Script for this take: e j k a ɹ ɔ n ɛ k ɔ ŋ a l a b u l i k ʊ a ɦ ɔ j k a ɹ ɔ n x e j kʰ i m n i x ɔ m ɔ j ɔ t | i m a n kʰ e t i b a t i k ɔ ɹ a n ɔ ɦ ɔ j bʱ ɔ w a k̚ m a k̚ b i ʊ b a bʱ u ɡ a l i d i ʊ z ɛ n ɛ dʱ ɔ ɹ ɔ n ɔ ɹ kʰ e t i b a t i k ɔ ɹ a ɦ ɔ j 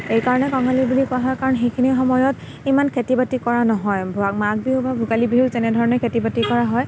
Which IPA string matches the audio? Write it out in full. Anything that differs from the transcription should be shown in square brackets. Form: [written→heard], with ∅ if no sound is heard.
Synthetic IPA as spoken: e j k a ɹ ɔ n ɛ k ɔ ŋ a l [a→i] b u l i k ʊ a ɦ ɔ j k a ɹ ɔ n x e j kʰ i [m→∅] n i x ɔ m ɔ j ɔ t | i m a n kʰ e t i b a t i k ɔ ɹ a n ɔ ɦ ɔ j bʱ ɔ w a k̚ m a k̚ b i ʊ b a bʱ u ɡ a l i [d→b] i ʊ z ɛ n ɛ dʱ ɔ ɹ ɔ n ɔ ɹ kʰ e t i b a t i k ɔ ɹ a ɦ ɔ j